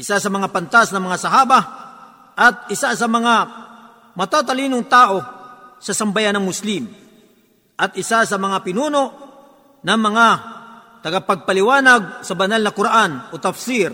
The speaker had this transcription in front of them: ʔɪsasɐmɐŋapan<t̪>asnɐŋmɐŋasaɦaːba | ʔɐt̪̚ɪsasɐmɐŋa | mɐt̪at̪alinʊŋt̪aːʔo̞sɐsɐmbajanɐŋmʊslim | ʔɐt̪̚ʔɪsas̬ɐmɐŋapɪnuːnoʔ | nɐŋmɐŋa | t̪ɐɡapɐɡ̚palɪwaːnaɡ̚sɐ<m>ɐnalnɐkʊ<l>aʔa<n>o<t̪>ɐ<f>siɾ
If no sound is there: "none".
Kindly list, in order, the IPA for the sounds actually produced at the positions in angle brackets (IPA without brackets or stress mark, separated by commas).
t̪, b, ɾ, n, t̪, f